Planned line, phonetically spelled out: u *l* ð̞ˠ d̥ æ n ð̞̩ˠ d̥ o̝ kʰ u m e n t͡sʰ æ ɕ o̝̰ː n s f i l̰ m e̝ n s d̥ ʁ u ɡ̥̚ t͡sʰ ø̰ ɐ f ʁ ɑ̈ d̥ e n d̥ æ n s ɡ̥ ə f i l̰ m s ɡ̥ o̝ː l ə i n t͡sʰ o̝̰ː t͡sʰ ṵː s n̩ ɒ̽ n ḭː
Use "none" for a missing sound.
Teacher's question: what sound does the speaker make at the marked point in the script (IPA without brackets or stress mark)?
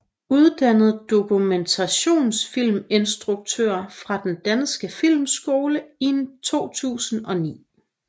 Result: none